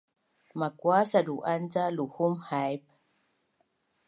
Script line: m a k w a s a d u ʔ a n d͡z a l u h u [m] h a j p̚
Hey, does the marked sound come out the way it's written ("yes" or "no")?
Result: yes